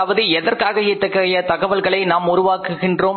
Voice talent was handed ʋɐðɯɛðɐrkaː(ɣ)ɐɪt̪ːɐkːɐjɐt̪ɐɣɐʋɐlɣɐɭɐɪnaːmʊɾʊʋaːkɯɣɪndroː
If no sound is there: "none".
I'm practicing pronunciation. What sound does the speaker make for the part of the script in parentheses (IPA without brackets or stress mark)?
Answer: ɣ